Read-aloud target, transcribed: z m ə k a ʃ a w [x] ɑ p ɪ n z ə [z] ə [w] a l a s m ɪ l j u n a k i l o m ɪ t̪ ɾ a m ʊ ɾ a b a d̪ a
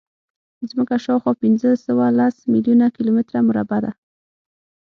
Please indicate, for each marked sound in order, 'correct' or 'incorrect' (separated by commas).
correct, incorrect, correct